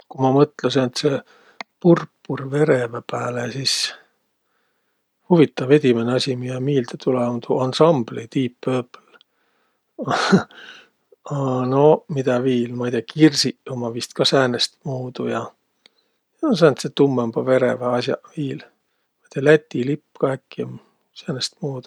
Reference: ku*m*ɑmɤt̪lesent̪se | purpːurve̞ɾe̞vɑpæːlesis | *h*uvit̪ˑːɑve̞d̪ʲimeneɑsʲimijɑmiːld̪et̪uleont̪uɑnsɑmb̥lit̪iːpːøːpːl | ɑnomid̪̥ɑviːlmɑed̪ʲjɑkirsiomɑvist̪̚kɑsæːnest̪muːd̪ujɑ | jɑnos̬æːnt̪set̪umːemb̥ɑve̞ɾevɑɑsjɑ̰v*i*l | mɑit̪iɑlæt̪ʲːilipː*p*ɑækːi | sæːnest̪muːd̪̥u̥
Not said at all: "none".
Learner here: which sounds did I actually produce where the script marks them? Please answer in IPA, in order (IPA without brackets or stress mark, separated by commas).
m, h, iː, k